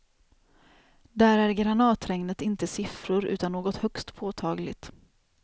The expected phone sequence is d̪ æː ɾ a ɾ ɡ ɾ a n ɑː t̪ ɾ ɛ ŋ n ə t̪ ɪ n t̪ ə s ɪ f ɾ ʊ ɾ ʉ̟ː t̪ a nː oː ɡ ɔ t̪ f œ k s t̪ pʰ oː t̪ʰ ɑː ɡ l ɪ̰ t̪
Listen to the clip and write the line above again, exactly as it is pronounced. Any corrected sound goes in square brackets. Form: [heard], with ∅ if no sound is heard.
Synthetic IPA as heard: d̪ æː ɾ [æ] ɾ ɡ ɾ a n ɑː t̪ ɾ ɛ ŋ n ə t̪ ɪ n t̪ ə s ɪ f ɾ ʊ ɾ ʉ̟ː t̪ a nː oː ɡ ɔ t̪ [h] œ k s t̪ pʰ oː t̪ʰ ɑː ɡ l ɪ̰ t̪